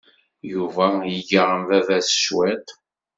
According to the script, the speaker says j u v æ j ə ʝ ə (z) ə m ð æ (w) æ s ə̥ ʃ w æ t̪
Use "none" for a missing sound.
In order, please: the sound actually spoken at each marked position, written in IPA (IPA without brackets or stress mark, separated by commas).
ʁ, v